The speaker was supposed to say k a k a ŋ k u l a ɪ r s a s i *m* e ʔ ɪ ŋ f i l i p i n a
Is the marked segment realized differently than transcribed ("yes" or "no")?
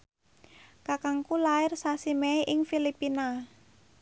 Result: no